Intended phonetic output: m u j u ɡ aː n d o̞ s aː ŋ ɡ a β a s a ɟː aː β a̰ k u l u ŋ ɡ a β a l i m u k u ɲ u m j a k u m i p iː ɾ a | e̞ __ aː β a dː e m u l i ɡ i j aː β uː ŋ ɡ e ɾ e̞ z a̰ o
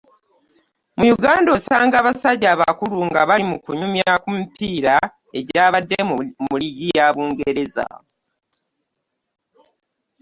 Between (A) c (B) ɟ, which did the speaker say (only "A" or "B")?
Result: B